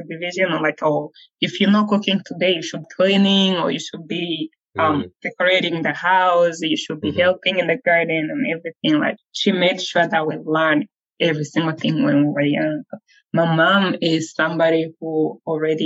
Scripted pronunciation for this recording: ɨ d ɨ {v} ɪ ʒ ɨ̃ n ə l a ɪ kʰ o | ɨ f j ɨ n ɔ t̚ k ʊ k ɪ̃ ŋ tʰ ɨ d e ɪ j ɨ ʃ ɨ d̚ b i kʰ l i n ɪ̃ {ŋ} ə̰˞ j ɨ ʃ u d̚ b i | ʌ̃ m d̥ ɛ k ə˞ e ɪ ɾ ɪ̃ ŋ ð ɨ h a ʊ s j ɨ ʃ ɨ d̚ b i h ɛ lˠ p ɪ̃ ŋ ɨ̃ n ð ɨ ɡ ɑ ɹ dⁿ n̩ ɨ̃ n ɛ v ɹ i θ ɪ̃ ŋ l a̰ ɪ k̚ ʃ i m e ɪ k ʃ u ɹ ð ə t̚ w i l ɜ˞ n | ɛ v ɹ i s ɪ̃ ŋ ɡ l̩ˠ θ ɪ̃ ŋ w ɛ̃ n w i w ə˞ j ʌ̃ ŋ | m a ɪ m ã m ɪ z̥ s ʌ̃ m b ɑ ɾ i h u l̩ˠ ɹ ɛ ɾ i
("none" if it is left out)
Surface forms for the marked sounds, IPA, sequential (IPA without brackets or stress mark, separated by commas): v, ŋ